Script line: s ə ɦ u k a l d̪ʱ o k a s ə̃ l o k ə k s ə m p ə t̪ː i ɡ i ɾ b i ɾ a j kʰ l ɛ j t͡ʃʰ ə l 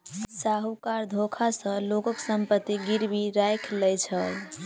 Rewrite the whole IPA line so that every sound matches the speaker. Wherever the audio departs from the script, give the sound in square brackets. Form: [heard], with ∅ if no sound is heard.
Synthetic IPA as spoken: s [a] ɦ u k a [ɾ] d̪ʱ o [kʰ] a s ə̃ l o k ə k s ə m p ə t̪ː i ɡ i ɾ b i ɾ a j kʰ l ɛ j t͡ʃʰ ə l